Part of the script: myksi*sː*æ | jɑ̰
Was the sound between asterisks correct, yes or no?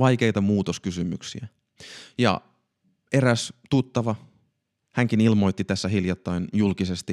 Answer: no